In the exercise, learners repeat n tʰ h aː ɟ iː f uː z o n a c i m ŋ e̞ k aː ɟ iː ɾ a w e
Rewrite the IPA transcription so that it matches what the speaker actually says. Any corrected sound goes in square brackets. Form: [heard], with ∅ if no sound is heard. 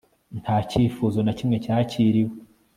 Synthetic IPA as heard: n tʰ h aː [c] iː f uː z o n a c i m ŋ e̞ [c] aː [c] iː ɾ [i] w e